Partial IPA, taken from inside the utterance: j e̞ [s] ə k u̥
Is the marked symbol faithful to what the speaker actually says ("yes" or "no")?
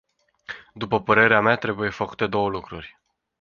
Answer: no